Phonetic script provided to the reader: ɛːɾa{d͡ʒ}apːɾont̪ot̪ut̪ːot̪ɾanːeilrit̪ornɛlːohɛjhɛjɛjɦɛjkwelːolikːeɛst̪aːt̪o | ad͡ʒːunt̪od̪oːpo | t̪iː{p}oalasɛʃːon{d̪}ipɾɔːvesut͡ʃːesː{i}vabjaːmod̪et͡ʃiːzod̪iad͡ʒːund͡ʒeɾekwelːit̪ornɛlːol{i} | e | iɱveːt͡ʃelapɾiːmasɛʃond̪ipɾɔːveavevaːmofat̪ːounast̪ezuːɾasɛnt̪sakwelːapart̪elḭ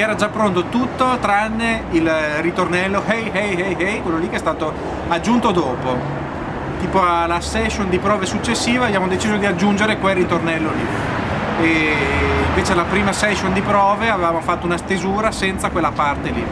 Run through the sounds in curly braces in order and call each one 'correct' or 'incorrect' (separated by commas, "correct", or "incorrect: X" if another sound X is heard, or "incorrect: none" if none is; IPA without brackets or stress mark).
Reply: correct, correct, correct, incorrect: iː, correct